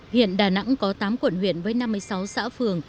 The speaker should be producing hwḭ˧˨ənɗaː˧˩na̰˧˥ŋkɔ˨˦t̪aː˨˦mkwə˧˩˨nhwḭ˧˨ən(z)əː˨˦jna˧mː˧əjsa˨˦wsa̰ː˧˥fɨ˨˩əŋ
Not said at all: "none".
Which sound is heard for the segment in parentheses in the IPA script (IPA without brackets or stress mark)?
v